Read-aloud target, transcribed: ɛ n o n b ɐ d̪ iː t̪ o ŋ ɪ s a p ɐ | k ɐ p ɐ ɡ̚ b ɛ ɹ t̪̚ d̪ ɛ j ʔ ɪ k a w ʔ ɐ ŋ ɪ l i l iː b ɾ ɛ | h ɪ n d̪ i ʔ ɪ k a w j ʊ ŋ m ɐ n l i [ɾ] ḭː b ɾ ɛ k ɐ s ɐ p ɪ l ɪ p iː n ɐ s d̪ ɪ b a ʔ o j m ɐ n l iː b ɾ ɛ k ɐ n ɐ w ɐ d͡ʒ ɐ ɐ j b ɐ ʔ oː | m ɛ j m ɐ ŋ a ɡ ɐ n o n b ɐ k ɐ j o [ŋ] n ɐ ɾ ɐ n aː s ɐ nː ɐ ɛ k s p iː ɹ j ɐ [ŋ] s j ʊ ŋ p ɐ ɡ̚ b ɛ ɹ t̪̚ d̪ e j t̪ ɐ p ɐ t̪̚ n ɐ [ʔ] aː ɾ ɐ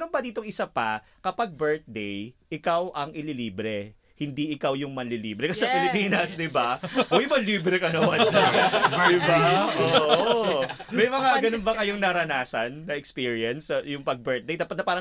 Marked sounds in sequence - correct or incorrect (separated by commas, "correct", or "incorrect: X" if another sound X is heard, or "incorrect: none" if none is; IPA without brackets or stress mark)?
incorrect: l, correct, incorrect: n, incorrect: p